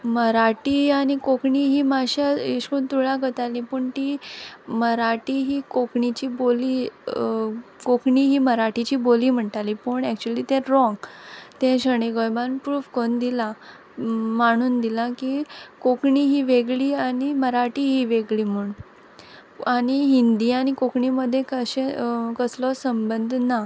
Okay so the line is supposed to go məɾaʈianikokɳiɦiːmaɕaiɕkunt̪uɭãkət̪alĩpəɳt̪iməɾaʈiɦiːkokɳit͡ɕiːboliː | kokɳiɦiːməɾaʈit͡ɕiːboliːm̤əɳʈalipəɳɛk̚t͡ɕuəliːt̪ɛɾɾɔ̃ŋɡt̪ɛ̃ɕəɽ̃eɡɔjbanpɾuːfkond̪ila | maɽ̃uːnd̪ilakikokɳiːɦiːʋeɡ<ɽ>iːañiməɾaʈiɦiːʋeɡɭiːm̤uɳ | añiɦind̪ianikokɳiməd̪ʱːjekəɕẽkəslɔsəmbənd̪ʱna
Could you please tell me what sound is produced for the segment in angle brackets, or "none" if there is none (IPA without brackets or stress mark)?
ɭ